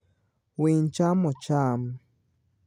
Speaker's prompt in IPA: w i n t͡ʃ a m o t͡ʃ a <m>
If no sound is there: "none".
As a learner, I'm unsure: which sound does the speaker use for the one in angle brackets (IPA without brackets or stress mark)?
m